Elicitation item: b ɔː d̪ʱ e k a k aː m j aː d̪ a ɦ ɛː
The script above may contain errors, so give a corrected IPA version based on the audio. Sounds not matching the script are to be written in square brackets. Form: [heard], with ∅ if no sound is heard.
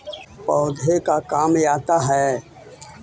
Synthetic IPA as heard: [p] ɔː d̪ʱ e k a k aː m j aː [t̪] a ɦ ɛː